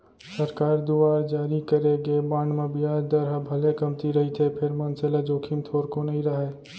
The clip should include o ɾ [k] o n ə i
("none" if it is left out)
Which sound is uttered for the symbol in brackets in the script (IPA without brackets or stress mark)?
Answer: k